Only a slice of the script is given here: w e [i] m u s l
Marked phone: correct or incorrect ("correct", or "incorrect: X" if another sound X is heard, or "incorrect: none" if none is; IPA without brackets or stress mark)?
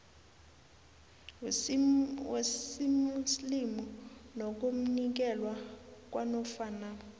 correct